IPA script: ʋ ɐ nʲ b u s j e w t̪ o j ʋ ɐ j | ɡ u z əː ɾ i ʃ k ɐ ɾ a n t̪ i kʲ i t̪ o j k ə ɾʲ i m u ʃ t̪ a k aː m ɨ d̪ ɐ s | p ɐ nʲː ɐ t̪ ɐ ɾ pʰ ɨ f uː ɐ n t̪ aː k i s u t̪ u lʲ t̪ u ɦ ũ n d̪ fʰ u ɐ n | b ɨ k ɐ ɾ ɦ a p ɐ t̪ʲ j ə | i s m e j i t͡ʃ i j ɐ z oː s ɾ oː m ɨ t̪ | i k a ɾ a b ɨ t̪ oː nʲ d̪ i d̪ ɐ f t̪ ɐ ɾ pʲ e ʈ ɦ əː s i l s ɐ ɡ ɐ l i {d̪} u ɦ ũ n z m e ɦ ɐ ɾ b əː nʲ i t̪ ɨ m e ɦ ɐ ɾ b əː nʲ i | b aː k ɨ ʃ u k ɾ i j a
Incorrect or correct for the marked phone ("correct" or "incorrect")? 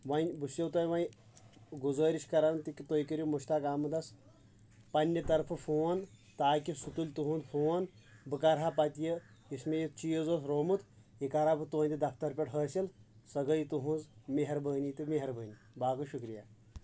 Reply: incorrect